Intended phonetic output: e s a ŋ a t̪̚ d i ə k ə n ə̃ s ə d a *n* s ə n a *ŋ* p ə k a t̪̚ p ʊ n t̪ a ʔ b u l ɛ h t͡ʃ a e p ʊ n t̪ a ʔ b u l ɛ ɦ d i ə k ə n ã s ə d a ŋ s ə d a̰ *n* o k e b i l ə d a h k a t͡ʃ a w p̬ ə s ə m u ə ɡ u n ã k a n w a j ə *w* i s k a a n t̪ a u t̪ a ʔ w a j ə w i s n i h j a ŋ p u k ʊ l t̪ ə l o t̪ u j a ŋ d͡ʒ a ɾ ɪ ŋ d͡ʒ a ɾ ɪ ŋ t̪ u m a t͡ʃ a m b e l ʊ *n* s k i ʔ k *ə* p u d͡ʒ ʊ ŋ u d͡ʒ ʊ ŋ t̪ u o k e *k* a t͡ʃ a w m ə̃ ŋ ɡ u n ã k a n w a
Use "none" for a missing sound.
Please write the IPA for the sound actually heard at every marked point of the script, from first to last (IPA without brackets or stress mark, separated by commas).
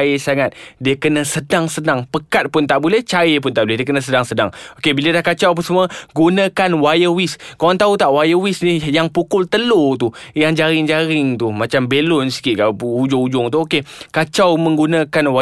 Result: ŋ, ŋ, ŋ, w, n, a, k